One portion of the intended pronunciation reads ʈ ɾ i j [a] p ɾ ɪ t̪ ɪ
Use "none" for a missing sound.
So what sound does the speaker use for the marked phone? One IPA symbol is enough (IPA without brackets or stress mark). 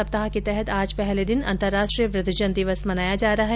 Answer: ə